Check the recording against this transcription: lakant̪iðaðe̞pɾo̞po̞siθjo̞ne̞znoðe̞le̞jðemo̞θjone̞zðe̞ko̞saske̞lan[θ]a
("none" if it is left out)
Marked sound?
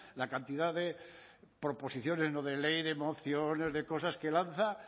θ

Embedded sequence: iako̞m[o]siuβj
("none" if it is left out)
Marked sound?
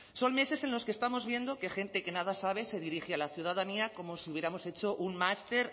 o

